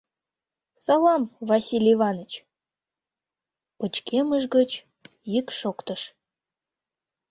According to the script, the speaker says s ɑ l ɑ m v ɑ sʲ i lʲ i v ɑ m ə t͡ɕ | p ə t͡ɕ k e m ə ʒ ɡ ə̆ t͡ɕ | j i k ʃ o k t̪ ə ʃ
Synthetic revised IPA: s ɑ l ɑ m v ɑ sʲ i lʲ i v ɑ n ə t͡ɕ | p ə t͡ɕ k e m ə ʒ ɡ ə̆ t͡ɕ | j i k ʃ o k t̪ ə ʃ